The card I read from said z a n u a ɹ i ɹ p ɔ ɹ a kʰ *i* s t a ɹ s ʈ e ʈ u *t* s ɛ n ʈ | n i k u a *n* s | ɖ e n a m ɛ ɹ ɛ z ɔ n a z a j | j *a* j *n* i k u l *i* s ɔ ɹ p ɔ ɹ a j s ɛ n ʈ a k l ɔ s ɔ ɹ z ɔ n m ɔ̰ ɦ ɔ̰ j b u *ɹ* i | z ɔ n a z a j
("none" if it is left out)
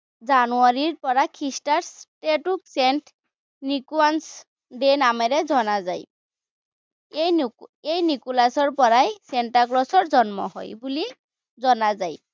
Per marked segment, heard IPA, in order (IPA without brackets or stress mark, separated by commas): i, k, n, e, n, a, l